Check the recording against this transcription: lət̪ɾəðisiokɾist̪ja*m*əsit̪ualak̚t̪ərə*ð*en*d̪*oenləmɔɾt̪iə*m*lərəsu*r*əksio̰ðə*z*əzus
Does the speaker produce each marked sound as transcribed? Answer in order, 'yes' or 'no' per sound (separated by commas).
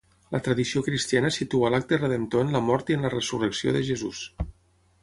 no, yes, no, no, yes, no